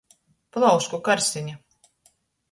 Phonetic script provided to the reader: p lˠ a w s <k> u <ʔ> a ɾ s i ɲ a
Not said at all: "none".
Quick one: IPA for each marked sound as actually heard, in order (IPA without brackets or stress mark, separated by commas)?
k, k